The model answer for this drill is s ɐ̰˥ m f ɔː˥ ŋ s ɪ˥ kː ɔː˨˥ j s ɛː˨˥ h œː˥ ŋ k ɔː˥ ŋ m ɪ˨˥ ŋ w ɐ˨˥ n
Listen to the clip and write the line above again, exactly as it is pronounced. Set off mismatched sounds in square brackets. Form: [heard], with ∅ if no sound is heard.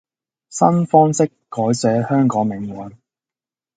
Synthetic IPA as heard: s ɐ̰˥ [n] f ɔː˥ ŋ s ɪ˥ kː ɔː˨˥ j s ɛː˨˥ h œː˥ ŋ k [ɔː˨˥] ŋ m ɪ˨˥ ŋ w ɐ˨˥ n

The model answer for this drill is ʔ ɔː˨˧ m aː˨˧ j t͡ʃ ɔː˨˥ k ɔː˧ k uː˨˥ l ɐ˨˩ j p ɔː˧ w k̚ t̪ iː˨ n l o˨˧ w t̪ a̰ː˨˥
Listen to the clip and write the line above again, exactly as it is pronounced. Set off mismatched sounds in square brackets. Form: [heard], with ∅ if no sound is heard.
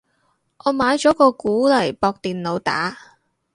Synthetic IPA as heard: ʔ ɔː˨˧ m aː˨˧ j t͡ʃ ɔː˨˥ k ɔː˧ k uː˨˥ l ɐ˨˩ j p ɔː˧ [∅] k̚ t̪ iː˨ n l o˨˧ w t̪ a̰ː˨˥

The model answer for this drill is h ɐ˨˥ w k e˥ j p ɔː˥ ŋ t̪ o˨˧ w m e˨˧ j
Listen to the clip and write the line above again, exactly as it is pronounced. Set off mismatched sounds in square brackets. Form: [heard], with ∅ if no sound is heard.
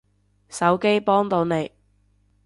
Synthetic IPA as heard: [s] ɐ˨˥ w k e˥ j p ɔː˥ ŋ t̪ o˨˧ w [n] e˨˧ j

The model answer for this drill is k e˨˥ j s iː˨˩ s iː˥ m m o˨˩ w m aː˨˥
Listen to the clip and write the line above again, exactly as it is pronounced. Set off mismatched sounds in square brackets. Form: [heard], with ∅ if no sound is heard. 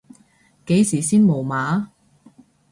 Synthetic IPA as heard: k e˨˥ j s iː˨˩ s iː˥ [n] m o˨˩ w m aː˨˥

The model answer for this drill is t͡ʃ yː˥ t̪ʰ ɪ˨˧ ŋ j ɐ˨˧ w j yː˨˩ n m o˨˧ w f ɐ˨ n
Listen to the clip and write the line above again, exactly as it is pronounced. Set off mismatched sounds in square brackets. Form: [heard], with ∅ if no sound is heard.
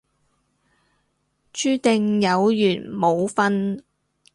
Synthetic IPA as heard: t͡ʃ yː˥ [t̪] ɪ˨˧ ŋ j ɐ˨˧ w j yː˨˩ n m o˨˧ w f [ɐ˥] n

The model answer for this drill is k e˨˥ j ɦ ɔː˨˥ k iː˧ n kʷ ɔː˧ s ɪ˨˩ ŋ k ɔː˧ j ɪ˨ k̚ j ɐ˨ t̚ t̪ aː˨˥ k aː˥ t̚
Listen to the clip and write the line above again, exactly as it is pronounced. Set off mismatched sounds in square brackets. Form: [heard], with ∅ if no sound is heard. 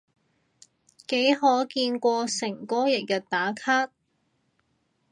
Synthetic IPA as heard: k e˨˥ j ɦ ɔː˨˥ k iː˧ n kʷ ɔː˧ s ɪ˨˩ ŋ k [ɔː˥] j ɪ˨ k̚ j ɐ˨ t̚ t̪ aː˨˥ [kʰ] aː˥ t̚

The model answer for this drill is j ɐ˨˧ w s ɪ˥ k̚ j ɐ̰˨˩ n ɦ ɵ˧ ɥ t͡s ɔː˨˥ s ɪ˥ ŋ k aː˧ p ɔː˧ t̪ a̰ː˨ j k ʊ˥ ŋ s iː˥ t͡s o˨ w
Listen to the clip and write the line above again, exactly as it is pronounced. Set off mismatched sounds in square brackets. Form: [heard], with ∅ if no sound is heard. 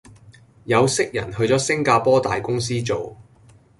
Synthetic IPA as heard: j ɐ˨˧ w s ɪ˥ k̚ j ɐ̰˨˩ n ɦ ɵ˧ ɥ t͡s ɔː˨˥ s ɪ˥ ŋ k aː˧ p [ɔː˥] t̪ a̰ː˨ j k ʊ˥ ŋ s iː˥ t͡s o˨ w

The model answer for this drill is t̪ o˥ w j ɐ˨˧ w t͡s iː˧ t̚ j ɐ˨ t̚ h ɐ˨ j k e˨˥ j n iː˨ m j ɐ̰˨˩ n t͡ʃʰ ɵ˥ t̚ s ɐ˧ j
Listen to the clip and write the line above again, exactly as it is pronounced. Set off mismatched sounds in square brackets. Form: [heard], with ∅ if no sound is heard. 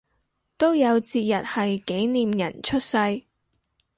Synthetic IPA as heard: t̪ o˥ w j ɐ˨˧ w t͡s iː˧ t̚ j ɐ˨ t̚ h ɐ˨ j k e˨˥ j n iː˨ m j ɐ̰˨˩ n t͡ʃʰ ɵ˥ t̚ s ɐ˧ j

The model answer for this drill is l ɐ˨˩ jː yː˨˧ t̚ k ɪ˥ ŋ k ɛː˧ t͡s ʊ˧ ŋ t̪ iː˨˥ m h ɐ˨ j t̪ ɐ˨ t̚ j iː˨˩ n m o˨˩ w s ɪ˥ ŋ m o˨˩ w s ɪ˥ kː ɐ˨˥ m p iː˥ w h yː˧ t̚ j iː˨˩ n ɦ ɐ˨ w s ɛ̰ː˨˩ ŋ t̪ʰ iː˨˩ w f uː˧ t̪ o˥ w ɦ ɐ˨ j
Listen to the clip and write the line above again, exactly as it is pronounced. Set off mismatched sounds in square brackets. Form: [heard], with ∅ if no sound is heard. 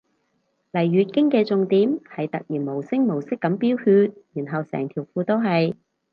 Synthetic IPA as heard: l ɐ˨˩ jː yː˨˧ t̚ k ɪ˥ ŋ k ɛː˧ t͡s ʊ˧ ŋ t̪ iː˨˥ m h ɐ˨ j t̪ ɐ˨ [k̚] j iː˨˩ n m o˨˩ w s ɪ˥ ŋ m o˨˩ w s ɪ˥ kː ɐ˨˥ m p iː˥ w h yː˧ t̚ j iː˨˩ n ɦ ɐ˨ w s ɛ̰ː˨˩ ŋ t̪ʰ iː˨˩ w f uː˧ t̪ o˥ w ɦ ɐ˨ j

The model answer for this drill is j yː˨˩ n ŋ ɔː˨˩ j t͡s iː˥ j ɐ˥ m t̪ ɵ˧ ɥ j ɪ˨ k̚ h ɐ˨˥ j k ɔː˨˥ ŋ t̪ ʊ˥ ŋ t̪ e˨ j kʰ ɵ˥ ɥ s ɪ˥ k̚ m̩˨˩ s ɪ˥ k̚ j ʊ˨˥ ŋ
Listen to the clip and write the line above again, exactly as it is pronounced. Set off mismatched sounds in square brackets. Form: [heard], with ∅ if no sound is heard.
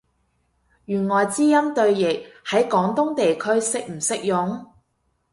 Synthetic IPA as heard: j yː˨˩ n ŋ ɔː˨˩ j t͡s iː˥ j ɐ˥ m t̪ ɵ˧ ɥ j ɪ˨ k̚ h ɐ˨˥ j k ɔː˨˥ ŋ t̪ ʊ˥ ŋ t̪ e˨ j kʰ ɵ˥ ɥ s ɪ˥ k̚ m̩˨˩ s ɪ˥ k̚ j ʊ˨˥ ŋ

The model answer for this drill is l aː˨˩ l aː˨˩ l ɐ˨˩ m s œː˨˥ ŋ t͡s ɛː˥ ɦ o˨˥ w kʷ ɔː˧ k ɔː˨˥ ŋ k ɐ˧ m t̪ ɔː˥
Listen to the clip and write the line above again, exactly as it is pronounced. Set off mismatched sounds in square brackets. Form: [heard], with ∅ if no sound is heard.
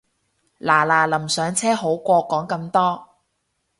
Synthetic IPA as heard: l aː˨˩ l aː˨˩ l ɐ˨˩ m s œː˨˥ ŋ [t͡sʰ] ɛː˥ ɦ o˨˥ w kʷ ɔː˧ k ɔː˨˥ ŋ k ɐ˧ m t̪ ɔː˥

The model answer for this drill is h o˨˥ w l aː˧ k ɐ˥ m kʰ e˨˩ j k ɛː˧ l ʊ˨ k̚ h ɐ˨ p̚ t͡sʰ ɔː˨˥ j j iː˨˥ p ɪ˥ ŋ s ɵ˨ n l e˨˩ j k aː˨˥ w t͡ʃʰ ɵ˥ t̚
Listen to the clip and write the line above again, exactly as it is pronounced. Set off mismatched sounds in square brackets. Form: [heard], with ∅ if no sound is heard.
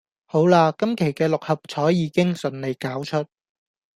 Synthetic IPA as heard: h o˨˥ w l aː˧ k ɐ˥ m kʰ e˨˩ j k ɛː˧ l ʊ˨ k̚ h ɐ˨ p̚ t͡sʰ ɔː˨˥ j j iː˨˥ [k] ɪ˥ ŋ s ɵ˨ n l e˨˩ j k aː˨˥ w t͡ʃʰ ɵ˥ t̚

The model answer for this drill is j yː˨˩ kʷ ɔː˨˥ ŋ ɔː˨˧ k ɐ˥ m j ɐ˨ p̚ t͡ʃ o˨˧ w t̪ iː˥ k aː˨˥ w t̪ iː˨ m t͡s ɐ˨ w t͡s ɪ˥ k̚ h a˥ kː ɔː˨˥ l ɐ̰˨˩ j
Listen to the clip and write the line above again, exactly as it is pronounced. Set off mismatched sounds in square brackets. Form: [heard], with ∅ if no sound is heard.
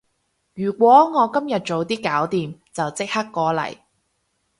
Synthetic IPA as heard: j yː˨˩ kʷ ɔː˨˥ ŋ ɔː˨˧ k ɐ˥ m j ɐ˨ [t̚] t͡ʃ o˨˧ w t̪ iː˥ k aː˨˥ w t̪ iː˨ m t͡s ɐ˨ w t͡s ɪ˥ k̚ h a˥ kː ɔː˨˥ l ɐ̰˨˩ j

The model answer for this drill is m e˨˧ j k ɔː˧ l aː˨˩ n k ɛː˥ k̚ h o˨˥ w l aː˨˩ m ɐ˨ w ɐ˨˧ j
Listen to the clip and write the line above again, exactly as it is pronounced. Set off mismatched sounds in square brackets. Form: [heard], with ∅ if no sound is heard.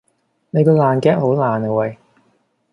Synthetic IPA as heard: [n] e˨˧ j k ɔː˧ l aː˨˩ n k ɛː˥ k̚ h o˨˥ w l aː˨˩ [n] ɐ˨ w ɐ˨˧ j

